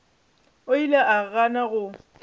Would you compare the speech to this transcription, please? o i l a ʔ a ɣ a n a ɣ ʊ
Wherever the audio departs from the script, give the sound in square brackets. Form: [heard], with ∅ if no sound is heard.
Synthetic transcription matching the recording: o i l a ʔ a ɣ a n a ɣ ʊ